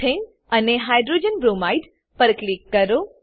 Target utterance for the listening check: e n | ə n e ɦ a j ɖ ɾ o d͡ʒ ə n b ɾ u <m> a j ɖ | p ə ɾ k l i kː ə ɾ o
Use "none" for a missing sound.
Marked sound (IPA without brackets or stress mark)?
m